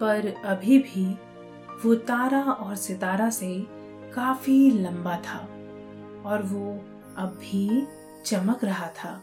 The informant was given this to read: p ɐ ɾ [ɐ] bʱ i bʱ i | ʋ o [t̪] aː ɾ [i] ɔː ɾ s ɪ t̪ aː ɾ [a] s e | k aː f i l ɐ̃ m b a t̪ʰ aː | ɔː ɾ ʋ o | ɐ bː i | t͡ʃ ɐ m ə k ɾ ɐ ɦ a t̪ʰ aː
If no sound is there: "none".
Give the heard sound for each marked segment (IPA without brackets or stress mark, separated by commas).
ɐ, t̪, a, a